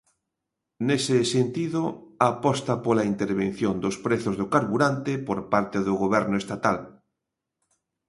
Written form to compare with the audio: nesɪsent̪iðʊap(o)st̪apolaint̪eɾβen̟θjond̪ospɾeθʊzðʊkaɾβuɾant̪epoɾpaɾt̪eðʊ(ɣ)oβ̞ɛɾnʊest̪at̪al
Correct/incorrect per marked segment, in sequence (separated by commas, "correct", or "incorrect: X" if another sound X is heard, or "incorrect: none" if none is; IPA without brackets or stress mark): incorrect: ɔ, correct